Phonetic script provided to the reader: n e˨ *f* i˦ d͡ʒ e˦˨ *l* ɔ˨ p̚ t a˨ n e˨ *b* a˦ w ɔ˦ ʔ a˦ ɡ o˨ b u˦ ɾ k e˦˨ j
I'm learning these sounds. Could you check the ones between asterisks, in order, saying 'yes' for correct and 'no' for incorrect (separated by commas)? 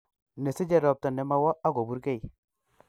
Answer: no, no, no